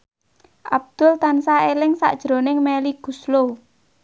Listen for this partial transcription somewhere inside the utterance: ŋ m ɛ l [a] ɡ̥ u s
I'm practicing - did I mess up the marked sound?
yes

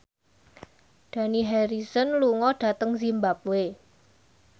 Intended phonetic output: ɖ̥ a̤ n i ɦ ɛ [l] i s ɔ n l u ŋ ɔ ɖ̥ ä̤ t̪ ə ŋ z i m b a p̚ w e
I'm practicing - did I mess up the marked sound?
yes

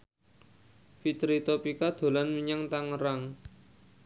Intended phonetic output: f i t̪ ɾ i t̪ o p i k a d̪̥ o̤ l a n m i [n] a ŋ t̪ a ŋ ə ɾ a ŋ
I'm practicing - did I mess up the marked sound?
yes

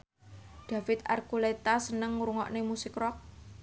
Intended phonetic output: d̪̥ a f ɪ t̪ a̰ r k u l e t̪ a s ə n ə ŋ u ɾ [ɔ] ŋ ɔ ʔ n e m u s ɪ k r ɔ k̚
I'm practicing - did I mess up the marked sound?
yes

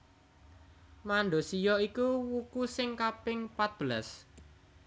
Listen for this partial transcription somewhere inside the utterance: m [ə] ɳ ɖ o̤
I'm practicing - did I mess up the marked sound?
yes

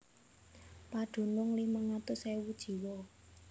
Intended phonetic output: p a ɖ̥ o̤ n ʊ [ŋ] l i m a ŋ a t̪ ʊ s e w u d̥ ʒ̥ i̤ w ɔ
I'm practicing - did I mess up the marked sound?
no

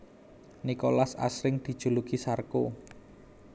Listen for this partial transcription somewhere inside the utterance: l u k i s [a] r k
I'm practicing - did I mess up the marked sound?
no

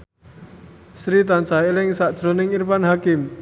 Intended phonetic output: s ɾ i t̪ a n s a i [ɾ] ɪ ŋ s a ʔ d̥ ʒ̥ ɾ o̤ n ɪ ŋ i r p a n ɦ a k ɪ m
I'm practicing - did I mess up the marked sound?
yes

